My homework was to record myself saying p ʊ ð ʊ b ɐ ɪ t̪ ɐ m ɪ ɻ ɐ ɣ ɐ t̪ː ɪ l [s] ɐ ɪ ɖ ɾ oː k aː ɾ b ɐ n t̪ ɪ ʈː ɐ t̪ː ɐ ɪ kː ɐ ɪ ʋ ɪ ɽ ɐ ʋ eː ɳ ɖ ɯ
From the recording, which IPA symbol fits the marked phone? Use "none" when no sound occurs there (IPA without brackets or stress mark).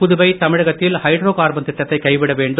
h